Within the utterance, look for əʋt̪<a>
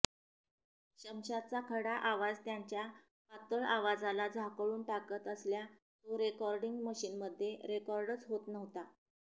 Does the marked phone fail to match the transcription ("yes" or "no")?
no